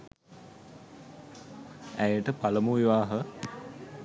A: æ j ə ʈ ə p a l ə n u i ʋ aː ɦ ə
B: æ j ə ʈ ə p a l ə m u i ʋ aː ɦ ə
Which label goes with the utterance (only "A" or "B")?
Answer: B